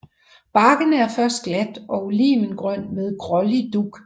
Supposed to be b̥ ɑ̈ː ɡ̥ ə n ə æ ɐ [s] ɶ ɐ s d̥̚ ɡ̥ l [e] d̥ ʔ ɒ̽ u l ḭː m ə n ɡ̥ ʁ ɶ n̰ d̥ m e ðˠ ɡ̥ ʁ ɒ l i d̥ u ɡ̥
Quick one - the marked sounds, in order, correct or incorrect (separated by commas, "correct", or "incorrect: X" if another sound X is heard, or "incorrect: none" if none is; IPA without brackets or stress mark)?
incorrect: f, incorrect: æ